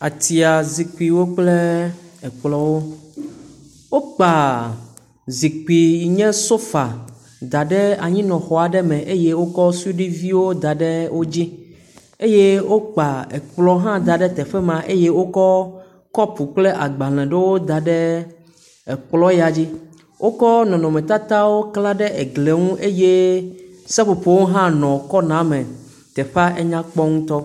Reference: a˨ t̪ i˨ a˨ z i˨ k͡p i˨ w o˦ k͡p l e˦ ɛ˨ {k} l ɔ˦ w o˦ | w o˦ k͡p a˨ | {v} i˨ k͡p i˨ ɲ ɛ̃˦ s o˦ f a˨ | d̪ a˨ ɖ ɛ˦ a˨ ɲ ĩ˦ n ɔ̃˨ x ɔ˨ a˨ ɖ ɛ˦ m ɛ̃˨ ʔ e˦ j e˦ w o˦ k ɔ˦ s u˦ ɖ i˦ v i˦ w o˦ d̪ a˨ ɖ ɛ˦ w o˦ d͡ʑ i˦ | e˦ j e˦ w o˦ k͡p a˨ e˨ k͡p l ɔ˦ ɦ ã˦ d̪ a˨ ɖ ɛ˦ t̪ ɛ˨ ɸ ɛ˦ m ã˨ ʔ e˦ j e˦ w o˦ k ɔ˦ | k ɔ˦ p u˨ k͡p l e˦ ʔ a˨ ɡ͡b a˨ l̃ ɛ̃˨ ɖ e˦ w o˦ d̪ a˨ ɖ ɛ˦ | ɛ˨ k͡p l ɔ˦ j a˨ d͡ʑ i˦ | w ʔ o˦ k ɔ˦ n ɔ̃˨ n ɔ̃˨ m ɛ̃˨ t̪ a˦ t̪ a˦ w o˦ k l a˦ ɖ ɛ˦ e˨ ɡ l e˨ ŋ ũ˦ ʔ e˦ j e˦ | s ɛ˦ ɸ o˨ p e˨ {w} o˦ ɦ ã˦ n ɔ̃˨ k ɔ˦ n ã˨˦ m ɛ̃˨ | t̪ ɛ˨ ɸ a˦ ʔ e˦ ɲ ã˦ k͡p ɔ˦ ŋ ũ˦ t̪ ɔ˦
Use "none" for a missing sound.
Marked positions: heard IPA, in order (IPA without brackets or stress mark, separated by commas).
k͡p, z, w